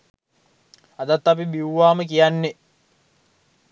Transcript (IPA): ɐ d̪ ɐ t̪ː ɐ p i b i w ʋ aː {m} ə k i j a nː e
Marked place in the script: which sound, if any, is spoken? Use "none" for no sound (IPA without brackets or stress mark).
m